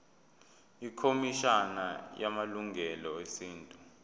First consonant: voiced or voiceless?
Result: voiceless